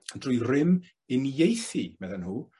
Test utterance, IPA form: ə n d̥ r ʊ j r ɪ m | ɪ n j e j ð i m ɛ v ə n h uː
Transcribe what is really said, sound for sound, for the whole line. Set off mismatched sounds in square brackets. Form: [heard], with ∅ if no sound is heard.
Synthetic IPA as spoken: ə n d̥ r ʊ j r ɪ m | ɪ n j e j [θ] i m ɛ [ð] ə n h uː